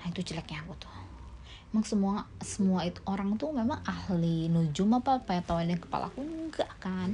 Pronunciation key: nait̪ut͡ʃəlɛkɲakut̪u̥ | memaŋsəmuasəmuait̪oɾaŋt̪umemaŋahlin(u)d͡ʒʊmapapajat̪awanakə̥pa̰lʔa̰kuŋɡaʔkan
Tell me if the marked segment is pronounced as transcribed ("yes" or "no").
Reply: yes